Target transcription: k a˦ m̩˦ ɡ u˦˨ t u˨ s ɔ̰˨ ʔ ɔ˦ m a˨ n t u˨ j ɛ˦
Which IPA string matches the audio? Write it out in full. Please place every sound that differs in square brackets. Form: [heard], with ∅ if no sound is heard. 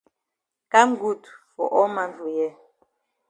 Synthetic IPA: k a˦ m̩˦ ɡ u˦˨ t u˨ [f] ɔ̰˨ ʔ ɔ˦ m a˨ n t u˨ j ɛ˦